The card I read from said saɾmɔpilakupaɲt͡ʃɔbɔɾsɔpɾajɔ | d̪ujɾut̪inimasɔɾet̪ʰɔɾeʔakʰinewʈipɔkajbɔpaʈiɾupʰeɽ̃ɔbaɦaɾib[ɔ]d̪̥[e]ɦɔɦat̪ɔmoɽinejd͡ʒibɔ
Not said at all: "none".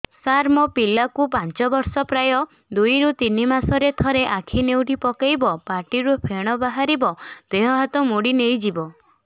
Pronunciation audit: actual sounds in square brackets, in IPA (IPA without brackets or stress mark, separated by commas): ɔ, e